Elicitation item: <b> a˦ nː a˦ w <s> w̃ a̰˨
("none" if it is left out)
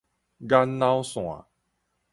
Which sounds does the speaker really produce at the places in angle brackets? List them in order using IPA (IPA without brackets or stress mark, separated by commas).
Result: ɡ, s